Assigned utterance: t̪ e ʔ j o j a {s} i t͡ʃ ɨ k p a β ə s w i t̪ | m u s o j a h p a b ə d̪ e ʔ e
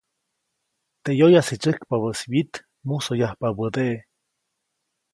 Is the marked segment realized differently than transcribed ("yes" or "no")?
no